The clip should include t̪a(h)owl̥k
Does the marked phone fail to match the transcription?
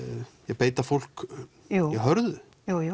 yes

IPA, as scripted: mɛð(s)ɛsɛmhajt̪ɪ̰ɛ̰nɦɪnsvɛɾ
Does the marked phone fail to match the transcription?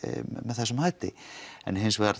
yes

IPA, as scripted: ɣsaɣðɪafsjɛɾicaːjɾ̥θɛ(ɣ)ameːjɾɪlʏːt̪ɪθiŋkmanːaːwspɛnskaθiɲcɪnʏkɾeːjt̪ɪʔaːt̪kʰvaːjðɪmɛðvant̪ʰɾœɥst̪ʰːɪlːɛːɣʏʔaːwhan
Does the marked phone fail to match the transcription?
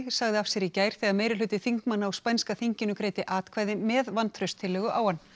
no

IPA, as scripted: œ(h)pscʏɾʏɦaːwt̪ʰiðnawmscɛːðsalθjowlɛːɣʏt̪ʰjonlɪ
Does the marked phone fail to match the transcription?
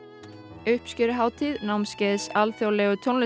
no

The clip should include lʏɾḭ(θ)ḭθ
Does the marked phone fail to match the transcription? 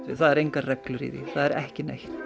yes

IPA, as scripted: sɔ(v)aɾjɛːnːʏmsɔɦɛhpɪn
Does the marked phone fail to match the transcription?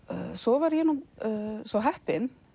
no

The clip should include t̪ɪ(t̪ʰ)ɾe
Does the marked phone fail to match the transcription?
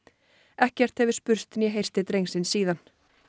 yes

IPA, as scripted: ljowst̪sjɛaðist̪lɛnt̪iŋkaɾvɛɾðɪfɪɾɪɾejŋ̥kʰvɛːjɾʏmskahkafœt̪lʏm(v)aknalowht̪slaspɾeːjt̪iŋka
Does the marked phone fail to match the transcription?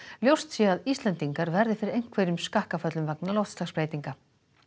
no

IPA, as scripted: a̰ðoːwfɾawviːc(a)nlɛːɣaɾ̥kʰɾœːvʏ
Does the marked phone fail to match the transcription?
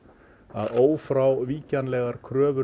no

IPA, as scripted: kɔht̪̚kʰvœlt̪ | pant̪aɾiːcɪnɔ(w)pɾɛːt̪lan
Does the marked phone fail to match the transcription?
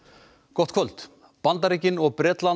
yes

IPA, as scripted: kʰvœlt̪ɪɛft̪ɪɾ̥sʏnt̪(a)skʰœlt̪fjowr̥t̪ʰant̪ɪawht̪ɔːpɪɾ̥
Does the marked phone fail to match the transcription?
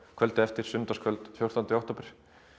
no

